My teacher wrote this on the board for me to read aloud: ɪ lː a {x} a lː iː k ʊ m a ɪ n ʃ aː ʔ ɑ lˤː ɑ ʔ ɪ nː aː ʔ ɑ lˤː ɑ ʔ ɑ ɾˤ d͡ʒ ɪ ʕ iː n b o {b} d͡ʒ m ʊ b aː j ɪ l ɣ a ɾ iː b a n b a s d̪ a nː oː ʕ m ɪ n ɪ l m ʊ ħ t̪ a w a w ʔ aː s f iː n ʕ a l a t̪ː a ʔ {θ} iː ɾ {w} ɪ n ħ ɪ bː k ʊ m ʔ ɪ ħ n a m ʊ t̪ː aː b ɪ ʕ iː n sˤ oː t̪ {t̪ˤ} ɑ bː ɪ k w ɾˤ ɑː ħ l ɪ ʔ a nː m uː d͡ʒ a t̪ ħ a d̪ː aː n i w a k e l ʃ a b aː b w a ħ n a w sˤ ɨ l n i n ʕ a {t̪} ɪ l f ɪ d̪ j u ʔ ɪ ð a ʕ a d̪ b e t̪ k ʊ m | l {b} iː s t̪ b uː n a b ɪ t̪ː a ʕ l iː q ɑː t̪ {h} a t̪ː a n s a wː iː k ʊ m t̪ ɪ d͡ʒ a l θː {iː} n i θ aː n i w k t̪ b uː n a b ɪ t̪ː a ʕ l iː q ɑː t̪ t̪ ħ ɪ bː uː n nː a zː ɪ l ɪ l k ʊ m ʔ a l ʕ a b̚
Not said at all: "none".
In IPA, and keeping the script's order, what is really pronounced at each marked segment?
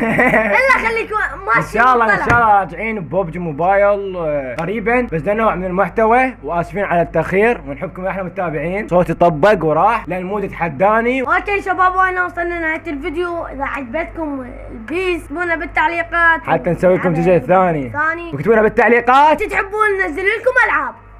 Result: x, b, x, w, t̪ˤ, t̪, b, ħ, aː

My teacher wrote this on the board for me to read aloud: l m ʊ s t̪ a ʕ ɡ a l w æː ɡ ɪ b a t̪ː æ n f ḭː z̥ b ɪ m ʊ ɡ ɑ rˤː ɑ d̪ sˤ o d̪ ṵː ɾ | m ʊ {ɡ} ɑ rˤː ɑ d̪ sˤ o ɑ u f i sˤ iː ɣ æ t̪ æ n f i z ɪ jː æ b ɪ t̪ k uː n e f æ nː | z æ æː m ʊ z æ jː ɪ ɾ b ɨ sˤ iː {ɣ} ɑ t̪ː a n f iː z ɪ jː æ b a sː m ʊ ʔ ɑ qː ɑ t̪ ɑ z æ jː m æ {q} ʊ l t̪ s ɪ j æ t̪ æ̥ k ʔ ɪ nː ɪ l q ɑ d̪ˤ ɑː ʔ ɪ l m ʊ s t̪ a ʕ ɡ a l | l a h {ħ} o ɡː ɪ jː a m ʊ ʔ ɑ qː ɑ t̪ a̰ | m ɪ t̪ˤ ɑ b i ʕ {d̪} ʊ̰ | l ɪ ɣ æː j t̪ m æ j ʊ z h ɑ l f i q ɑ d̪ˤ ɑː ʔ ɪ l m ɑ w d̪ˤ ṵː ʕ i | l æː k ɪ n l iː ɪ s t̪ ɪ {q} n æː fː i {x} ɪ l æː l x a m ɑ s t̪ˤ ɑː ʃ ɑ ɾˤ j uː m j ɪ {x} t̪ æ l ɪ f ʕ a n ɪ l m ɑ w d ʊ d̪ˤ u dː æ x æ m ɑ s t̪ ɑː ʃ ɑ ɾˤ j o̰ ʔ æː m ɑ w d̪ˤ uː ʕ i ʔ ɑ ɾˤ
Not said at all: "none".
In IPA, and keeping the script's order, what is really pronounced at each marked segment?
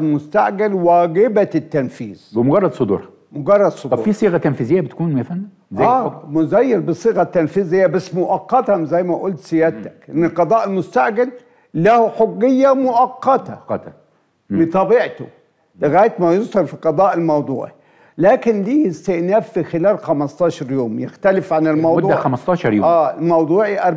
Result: ɡ, ɣ, ʔ, ħ, t̪, ʔ, x, x

